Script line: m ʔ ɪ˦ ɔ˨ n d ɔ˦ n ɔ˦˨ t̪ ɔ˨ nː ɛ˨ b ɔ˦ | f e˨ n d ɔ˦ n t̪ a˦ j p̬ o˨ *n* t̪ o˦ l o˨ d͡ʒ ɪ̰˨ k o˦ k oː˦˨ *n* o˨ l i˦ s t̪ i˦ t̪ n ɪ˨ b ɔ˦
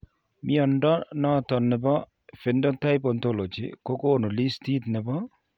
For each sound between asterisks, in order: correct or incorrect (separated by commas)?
correct, correct